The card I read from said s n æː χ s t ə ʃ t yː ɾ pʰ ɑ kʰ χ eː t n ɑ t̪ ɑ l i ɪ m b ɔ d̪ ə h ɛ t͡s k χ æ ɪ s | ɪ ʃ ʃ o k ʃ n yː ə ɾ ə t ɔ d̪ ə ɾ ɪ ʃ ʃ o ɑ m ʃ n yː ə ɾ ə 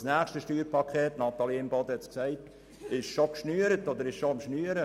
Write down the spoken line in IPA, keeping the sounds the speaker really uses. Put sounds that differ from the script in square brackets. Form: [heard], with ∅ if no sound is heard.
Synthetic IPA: s n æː χ [ʃ] t ə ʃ t yː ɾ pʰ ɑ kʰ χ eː t n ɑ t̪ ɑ l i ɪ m b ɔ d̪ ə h ɛ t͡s k [s] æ ɪ [t] | ɪ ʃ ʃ o k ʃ n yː ə ɾ ə t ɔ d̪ ə ɾ ɪ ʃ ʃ o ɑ m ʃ n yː ə ɾ ə